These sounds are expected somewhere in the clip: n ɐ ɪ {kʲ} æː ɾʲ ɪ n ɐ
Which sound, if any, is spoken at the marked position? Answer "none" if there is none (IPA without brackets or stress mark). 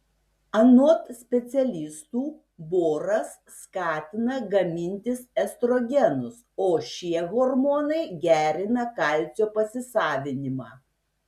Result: ɡʲ